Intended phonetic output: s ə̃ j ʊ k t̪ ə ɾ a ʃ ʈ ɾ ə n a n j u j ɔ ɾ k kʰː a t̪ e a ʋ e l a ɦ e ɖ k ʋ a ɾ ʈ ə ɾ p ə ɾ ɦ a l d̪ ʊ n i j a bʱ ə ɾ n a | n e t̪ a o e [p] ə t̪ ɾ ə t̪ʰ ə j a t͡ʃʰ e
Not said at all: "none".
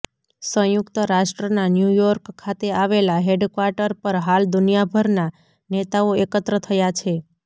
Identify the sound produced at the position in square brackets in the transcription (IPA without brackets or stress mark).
k